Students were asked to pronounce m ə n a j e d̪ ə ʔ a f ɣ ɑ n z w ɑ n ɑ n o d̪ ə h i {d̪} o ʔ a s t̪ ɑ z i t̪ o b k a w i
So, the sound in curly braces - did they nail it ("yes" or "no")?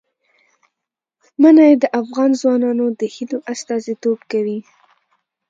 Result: yes